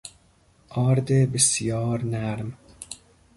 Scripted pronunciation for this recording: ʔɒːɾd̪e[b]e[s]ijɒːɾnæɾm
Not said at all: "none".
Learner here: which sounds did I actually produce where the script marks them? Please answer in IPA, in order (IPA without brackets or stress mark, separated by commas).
b, s